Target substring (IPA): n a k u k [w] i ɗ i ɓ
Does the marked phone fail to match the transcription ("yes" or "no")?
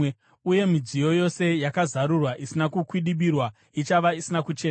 no